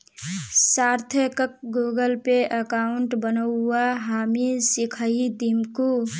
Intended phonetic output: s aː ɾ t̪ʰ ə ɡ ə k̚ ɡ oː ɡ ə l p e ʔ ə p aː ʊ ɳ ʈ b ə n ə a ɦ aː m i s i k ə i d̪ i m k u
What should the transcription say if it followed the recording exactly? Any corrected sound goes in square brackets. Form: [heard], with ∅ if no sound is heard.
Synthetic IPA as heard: s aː ɾ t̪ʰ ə [k] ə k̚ ɡ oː ɡ ə l p e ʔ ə [k] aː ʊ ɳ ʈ b ə n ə a ɦ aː m i s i [kʰ] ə i d̪ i m k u